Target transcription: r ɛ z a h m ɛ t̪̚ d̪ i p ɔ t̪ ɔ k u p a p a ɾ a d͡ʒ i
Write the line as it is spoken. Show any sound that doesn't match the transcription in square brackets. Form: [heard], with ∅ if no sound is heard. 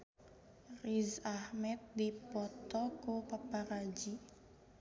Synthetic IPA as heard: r [i] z a h m ɛ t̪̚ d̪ i p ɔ t̪ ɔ k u p a p a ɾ a d͡ʒ i

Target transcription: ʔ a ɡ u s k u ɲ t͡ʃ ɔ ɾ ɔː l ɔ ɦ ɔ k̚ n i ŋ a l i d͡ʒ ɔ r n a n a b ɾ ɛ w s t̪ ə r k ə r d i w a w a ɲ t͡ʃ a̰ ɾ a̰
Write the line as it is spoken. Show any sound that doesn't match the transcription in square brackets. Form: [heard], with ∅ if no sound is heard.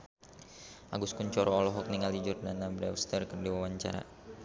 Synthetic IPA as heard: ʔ a ɡ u s k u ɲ t͡ʃ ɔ ɾ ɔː l ɔ ɦ ɔ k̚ n i ŋ a l i d͡ʒ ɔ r n a n a b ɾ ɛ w s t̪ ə r k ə r d i w a w a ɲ t͡ʃ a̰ ɾ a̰

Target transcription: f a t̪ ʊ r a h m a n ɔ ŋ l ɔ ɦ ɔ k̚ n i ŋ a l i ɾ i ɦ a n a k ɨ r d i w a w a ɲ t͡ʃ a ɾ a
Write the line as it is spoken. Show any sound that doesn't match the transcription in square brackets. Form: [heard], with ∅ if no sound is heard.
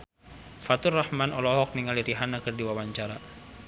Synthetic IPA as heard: f a t̪ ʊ r a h m a n ɔ [∅] l ɔ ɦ ɔ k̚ n i ŋ a l i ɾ i ɦ a n a k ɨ r d i w a w a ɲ t͡ʃ a ɾ a

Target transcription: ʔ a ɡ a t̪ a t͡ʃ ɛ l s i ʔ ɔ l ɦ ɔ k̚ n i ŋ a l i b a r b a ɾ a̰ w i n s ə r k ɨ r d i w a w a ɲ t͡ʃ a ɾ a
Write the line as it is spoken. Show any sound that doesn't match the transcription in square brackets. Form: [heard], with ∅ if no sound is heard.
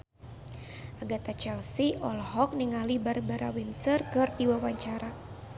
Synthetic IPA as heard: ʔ a ɡ a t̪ a t͡ʃ ɛ l s i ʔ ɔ l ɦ ɔ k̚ n i ŋ a l i b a r b a ɾ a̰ w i n s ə r k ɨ r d i w a w a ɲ t͡ʃ a ɾ a

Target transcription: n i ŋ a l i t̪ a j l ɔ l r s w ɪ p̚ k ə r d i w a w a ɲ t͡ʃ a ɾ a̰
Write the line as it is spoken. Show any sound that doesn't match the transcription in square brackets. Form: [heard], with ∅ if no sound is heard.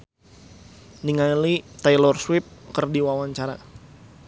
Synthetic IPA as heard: n i ŋ a l i t̪ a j l ɔ [∅] r s w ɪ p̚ k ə r d i w a w a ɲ t͡ʃ a ɾ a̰

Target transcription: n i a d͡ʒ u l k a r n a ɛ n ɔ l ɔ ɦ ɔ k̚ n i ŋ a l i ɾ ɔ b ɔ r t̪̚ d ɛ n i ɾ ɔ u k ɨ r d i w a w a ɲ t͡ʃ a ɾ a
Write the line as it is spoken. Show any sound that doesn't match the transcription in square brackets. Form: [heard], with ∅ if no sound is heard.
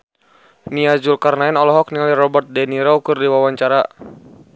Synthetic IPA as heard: n i a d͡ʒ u l k a r n a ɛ n ɔ l ɔ ɦ ɔ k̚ n i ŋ a l i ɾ ɔ b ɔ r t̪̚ d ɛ n i ɾ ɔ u k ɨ r d i w a w a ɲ t͡ʃ a ɾ a

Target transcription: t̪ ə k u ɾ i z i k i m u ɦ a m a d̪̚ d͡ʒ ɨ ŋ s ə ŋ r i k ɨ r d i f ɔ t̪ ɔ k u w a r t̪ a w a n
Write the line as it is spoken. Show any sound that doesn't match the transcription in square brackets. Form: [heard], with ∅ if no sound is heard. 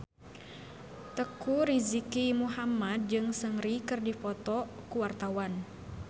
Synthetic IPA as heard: t̪ ə k u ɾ i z i k i m u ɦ a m a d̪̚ d͡ʒ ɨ ŋ s ə ŋ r i k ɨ r d i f ɔ t̪ ɔ k u w a r t̪ a w a n

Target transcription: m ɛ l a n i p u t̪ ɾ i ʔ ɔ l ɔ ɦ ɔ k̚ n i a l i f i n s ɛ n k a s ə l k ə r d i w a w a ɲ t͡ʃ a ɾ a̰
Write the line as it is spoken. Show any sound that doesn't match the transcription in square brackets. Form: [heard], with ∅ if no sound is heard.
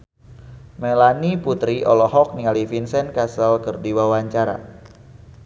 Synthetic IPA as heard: m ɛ l a n i p u t̪ ɾ i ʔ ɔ l ɔ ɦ ɔ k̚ n i a l i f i n s ɛ n k a s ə l k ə r d i w a w a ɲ t͡ʃ a ɾ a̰

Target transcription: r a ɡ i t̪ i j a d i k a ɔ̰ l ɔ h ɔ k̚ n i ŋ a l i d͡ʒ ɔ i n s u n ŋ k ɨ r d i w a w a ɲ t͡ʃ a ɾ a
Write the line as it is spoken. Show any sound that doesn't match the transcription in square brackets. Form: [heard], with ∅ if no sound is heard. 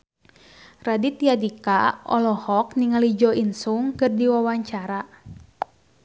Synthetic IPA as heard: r a [d] i t̪ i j a d i k a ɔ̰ l ɔ h ɔ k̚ n i ŋ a l i d͡ʒ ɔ i n s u [∅] ŋ k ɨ r d i w a w a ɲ t͡ʃ a ɾ a

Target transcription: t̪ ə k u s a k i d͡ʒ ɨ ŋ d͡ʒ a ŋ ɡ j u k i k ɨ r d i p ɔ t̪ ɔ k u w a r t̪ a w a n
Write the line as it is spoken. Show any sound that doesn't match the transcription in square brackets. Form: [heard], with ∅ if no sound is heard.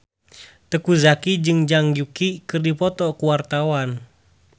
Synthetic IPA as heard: t̪ ə k u [z] a k i d͡ʒ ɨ ŋ d͡ʒ a ŋ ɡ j u k i k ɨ r d i p ɔ t̪ ɔ k u w a r t̪ a w a n

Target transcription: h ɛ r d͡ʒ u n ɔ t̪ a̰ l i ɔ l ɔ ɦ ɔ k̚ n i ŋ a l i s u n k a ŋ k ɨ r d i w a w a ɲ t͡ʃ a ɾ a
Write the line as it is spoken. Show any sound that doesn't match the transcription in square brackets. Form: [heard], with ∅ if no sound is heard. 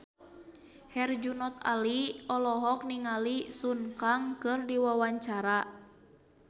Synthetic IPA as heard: h ɛ r d͡ʒ u n ɔ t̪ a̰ l i ɔ l ɔ ɦ ɔ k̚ n i ŋ a l i s u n k a ŋ k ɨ r d i w a w a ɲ t͡ʃ a ɾ a

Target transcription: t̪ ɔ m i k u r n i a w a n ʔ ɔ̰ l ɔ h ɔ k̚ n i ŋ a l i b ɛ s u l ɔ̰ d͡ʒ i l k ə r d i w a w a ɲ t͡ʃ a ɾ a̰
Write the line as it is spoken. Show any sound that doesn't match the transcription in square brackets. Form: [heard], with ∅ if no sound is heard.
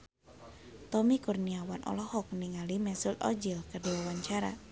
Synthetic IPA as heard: t̪ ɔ m i k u r n i a w a n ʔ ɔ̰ l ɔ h ɔ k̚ n i ŋ a l i [m] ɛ s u l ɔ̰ d͡ʒ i l k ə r d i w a w a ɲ t͡ʃ a ɾ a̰

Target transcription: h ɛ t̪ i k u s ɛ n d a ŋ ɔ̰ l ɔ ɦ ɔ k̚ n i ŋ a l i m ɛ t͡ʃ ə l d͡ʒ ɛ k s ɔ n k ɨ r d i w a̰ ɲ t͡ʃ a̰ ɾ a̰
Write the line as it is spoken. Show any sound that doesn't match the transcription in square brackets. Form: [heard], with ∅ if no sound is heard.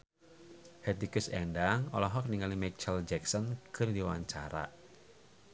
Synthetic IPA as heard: h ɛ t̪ i k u s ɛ n d a ŋ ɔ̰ l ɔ ɦ ɔ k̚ n i ŋ a l i m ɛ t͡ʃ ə l d͡ʒ ɛ k s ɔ n k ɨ r d i w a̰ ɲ t͡ʃ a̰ ɾ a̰

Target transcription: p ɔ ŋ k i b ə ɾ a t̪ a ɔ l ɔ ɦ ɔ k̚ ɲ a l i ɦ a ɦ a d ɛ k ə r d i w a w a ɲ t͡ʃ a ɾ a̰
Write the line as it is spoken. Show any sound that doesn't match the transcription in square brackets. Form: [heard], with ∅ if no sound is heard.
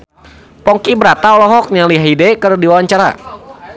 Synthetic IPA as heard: p ɔ ŋ k i b ə ɾ a t̪ a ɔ l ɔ ɦ ɔ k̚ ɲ a l i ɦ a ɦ [i] d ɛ k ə r d i w a w a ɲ t͡ʃ a ɾ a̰

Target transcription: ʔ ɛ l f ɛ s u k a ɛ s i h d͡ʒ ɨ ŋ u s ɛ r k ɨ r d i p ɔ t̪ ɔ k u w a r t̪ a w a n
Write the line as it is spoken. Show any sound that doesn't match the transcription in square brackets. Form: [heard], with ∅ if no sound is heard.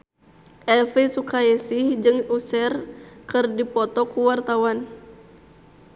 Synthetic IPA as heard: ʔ ɛ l f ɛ s u k a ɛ s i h d͡ʒ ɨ ŋ u s ɛ r k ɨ r d i p ɔ t̪ ɔ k u w a r t̪ a w a n

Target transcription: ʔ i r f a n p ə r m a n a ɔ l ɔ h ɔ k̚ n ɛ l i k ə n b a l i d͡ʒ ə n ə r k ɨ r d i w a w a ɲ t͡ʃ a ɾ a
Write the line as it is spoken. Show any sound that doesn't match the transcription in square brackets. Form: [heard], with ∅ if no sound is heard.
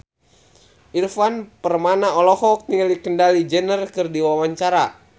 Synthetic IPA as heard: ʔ i r f a n p ə r m a n a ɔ l ɔ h ɔ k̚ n [i] l i k ə n [d] a l i d͡ʒ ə n ə r k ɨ r d i w a w a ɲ t͡ʃ a ɾ a

